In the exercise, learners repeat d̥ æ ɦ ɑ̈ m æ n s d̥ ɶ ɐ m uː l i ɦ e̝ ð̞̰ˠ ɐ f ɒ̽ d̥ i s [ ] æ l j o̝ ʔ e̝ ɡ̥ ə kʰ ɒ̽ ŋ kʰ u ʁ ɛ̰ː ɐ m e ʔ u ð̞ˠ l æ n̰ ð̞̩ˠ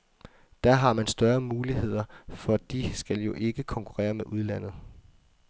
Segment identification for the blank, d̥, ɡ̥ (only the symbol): ɡ̥